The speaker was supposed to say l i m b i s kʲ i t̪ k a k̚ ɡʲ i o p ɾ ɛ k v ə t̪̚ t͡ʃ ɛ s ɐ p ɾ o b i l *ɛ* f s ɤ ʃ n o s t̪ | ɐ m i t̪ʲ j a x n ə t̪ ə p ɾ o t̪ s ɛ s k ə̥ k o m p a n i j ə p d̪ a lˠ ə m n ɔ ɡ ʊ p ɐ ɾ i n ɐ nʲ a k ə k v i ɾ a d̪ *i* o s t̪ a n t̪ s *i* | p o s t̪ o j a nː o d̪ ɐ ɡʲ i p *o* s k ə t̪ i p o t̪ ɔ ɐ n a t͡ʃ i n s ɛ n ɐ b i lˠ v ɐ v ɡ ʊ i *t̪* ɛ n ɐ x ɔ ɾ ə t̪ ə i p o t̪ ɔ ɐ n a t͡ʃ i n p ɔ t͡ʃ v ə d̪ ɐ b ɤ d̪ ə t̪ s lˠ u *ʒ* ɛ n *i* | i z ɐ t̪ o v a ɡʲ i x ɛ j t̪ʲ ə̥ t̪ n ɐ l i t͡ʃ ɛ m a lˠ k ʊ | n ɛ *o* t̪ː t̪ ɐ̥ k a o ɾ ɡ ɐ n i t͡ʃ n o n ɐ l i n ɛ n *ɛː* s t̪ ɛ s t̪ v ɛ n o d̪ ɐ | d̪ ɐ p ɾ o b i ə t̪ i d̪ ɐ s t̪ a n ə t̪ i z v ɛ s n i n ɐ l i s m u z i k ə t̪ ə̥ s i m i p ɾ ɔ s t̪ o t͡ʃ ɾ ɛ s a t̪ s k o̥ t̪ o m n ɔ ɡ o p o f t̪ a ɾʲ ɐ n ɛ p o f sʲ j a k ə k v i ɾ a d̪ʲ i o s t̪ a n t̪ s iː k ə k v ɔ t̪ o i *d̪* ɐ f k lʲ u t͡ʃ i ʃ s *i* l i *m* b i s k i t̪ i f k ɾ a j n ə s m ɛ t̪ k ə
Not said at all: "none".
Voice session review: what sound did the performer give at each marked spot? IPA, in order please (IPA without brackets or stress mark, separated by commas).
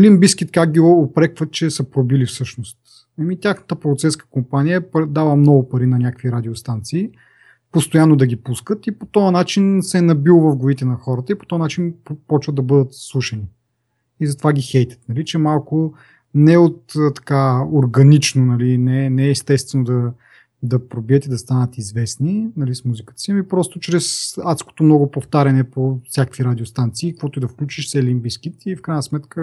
i, i, iː, u, t̪, ʃ, i, o, ɛː, d̪, ɛ, m